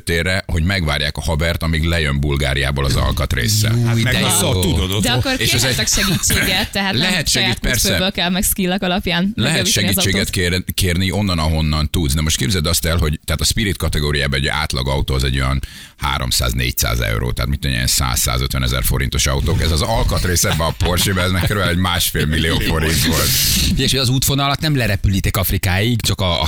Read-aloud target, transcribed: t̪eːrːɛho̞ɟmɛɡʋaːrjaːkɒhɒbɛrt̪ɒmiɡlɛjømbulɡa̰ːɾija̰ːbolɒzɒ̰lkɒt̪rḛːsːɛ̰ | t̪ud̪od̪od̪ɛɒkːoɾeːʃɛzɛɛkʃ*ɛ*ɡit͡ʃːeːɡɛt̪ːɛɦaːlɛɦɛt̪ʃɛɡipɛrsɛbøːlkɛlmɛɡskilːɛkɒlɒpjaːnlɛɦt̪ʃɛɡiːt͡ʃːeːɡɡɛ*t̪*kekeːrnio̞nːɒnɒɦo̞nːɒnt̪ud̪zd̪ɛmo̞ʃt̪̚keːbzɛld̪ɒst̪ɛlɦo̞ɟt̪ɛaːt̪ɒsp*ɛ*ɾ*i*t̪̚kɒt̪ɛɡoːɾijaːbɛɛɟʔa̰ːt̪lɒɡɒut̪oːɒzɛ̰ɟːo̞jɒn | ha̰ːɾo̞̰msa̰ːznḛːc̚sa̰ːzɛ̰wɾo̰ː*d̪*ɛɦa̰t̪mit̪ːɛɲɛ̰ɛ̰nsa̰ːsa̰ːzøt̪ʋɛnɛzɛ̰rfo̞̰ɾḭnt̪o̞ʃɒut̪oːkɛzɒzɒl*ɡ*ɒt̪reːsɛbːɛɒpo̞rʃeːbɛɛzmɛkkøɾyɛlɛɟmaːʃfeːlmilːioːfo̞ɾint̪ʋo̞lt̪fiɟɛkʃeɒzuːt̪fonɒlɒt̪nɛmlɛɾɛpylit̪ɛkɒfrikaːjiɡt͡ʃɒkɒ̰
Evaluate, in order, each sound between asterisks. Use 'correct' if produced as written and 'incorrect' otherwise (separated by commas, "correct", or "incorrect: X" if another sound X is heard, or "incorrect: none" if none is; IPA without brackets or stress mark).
correct, correct, incorrect: i, correct, incorrect: t̪, incorrect: k